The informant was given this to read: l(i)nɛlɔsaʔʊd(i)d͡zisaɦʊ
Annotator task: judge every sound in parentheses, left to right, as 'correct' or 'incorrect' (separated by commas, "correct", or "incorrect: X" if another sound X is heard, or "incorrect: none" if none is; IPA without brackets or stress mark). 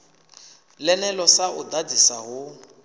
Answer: incorrect: ɛ, incorrect: a